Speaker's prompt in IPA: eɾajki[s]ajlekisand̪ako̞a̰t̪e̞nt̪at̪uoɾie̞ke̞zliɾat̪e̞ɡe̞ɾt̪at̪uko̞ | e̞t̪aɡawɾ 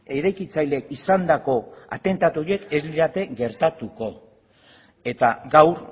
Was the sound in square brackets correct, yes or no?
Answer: no